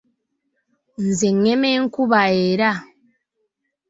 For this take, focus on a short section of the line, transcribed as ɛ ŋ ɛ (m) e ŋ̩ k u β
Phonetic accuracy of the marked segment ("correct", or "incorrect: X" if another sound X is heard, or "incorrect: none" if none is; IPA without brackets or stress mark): correct